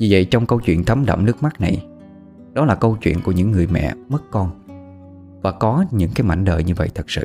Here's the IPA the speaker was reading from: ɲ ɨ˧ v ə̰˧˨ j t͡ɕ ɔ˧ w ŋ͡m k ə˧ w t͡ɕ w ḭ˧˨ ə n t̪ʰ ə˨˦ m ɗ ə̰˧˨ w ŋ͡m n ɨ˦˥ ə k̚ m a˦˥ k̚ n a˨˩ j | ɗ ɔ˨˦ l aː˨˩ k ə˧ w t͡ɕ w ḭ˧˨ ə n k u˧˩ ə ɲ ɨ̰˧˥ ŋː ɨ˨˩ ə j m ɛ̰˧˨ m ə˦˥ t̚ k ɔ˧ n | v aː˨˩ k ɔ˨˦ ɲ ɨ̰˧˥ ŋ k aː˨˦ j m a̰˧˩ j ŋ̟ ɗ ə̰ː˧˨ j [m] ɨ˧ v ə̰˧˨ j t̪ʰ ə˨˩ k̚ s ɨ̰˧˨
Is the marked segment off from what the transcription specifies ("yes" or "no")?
yes